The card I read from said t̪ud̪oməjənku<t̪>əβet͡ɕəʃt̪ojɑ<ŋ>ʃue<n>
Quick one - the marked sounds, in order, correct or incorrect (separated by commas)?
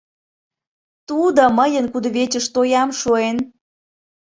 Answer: incorrect, incorrect, correct